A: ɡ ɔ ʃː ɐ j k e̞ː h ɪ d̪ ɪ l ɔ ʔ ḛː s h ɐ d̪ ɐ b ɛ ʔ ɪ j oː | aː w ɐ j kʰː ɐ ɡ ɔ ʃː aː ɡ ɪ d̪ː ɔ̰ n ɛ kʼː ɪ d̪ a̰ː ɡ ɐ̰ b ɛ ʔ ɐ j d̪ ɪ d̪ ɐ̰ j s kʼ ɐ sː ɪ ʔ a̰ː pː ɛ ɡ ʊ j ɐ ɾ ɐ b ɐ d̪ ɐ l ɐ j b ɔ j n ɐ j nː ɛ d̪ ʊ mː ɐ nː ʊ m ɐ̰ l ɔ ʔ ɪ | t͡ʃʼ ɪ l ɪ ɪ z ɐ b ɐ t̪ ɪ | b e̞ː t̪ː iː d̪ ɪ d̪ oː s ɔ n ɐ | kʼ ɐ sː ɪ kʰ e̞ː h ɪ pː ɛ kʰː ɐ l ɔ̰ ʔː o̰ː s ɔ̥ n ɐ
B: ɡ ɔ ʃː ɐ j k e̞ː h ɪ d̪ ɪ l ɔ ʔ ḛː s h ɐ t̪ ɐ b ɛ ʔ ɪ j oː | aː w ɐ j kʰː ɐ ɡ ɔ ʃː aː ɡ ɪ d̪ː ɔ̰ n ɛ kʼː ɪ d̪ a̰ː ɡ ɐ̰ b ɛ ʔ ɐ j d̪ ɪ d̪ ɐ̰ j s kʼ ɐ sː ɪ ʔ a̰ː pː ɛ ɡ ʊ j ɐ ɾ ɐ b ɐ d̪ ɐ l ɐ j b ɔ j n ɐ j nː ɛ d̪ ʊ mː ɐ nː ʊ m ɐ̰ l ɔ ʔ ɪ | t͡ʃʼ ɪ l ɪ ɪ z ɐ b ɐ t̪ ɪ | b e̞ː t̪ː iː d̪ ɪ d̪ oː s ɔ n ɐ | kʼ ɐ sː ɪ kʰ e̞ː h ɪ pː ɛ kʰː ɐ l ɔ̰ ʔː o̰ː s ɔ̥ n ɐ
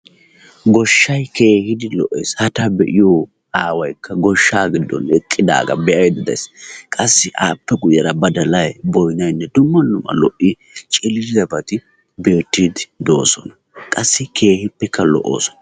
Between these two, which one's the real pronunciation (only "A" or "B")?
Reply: B